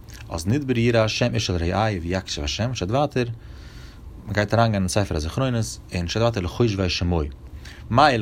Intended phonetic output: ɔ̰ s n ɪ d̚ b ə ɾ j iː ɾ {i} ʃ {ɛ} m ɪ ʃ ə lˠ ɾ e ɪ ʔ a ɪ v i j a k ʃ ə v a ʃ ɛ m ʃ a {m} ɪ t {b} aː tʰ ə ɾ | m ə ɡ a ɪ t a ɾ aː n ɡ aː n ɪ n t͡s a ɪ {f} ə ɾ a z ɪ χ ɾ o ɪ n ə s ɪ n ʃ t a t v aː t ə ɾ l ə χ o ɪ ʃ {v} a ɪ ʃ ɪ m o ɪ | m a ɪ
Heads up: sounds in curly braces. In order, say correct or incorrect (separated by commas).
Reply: incorrect, correct, incorrect, incorrect, correct, correct